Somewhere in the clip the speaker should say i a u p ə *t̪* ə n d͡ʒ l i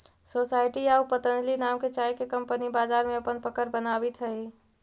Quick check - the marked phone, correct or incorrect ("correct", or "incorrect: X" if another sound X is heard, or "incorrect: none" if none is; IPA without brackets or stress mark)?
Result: correct